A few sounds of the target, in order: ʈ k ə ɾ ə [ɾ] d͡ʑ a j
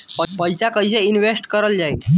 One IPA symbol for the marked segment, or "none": l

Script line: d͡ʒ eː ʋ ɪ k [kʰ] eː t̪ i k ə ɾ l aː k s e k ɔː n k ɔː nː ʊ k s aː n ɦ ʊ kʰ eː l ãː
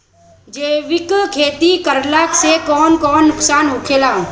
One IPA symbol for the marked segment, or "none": kʰ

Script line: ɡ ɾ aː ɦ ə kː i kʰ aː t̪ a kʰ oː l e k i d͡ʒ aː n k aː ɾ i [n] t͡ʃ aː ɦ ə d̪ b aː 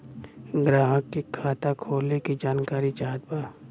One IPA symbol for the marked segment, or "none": none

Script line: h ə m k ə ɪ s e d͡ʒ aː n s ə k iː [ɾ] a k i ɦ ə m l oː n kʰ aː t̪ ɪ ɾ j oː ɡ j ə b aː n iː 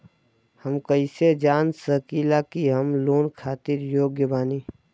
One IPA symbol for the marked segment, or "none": l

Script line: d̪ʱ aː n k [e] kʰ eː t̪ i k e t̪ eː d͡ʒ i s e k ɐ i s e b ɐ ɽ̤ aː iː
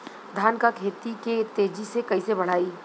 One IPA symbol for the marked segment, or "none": a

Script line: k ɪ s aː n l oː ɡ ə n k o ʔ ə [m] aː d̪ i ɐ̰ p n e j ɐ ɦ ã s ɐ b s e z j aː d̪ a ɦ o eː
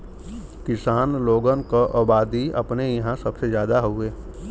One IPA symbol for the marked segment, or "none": b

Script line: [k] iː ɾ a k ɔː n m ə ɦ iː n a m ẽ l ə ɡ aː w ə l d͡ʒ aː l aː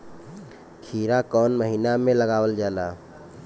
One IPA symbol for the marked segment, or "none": kʰ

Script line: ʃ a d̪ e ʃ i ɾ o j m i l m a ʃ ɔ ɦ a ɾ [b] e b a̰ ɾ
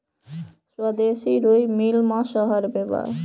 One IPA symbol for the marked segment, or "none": b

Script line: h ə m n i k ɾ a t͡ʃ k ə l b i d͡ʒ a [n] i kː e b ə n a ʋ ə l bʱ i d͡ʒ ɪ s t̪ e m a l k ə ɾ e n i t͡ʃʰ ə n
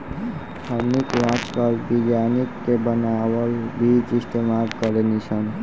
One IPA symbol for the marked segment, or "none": n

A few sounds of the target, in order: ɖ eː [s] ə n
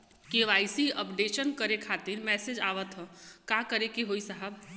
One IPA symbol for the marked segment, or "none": ʃ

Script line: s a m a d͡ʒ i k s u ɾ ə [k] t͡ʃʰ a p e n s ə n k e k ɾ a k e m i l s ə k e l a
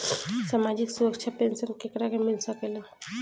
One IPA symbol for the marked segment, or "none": k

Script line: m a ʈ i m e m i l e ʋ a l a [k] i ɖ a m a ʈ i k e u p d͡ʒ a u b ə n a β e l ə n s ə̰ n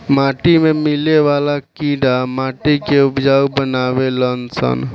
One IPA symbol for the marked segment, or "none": k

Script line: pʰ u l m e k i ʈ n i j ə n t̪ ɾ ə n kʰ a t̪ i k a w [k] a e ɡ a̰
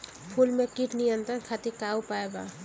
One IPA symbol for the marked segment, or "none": p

